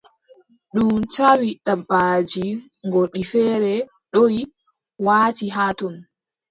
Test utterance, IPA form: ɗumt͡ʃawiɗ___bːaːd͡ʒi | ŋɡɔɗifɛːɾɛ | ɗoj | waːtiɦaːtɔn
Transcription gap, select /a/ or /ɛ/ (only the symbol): a